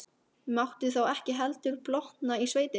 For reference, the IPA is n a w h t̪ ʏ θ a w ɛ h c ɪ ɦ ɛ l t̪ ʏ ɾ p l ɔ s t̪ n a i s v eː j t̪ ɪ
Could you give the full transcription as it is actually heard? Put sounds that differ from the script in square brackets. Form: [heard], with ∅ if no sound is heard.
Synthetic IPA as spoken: [m] a w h t̪ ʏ θ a w ɛ h c ɪ ɦ ɛ l t̪ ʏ ɾ p l ɔ [h] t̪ n a i s v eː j t̪ ɪ